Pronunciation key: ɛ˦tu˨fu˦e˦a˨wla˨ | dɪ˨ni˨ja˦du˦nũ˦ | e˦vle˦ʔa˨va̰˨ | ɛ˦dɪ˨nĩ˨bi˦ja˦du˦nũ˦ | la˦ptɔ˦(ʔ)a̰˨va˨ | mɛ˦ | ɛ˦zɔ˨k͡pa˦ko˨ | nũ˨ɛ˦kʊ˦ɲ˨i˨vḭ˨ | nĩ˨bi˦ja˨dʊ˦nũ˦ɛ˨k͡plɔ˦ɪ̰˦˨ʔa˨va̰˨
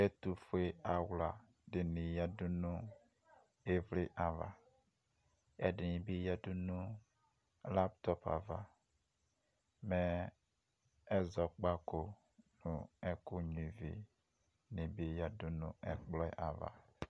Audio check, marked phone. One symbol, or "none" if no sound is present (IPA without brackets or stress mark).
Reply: p